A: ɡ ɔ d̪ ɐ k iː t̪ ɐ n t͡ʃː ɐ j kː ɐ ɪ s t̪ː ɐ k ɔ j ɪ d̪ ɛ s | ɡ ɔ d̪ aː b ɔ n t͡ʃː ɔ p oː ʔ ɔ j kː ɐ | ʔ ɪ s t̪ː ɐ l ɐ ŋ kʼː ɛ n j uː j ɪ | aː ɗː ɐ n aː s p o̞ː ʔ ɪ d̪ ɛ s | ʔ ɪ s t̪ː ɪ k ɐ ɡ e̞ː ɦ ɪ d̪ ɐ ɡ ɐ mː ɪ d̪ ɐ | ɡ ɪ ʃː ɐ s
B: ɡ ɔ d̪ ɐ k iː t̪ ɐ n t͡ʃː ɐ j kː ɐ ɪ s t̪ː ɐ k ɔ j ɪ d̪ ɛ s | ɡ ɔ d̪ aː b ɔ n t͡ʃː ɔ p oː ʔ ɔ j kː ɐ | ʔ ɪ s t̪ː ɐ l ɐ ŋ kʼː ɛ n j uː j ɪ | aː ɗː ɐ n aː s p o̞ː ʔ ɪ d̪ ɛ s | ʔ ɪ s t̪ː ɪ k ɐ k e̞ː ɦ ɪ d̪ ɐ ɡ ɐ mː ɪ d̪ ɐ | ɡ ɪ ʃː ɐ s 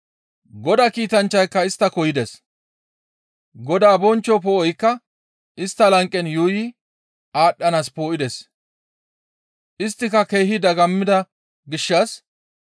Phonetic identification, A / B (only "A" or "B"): B